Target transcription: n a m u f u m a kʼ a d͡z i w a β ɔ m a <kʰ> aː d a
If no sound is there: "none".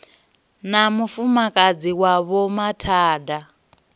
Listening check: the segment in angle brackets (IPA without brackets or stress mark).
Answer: tʰ